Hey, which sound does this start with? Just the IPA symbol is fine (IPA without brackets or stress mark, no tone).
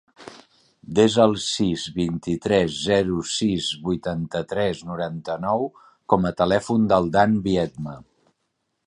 d̪